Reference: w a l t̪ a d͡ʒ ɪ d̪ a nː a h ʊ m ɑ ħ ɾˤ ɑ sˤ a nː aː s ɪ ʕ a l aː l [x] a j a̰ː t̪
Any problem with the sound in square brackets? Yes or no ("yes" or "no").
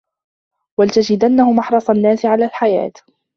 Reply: yes